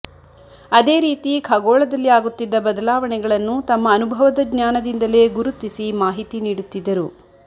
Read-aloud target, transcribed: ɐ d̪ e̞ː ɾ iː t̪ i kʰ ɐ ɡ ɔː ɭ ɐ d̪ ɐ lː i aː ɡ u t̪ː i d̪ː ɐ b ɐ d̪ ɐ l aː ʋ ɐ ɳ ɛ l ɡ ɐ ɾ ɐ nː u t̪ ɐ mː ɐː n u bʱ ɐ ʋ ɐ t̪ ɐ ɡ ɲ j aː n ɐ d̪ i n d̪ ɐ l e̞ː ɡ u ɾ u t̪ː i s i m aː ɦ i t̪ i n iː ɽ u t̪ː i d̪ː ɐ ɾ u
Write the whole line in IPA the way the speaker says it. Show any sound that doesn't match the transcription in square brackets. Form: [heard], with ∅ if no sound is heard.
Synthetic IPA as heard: ɐ d̪ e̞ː ɾ iː t̪ i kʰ ɐ ɡ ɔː ɭ ɐ d̪ ɐ lː i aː ɡ u t̪ː i d̪ː ɐ b ɐ d̪ ɐ l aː ʋ ɐ ɳ ɛ [∅] ɡ ɐ [ɭ] ɐ nː u t̪ ɐ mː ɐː n u bʱ ɐ ʋ ɐ [d̪] ɐ ɡ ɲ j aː n ɐ d̪ i n d̪ ɐ l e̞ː ɡ u ɾ u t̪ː i s i m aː ɦ i t̪ i n iː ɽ u t̪ː i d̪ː ɐ ɾ u